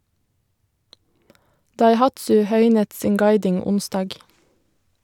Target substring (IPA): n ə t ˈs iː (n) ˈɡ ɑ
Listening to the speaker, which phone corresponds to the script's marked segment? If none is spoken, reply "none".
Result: ŋ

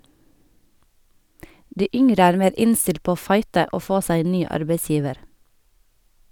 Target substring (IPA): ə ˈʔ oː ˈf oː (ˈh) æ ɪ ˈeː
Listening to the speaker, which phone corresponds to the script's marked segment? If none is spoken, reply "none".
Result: s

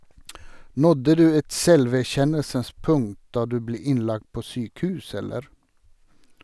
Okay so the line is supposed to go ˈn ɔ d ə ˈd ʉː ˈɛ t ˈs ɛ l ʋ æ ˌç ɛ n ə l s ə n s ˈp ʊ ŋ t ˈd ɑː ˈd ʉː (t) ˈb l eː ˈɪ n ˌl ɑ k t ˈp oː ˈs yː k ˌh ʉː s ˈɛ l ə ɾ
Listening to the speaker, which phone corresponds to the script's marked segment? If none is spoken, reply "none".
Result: none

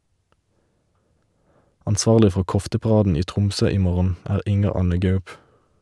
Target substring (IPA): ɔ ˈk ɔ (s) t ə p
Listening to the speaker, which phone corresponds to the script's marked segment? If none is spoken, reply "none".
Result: f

